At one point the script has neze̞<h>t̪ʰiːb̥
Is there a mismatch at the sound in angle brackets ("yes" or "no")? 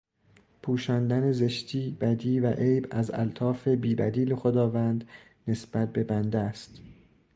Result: yes